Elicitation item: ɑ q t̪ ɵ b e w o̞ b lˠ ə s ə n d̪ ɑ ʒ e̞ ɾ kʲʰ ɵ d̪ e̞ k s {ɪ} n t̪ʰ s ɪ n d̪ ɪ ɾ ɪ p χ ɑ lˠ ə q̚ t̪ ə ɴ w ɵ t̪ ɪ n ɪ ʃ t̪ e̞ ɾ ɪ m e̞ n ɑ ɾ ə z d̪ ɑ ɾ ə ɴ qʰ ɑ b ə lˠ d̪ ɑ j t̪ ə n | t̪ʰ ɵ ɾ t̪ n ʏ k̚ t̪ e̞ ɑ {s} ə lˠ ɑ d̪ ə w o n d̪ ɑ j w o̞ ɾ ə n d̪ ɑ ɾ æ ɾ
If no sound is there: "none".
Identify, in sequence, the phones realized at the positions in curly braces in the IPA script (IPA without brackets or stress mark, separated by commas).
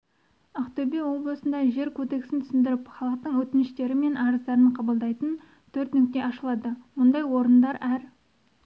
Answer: ɪ, ʃ